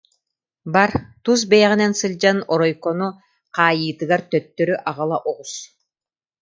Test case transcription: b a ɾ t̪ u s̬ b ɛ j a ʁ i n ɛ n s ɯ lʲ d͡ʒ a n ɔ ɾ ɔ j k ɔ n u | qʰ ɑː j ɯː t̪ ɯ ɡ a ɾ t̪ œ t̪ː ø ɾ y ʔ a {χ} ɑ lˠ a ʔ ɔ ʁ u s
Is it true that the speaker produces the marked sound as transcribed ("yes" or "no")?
no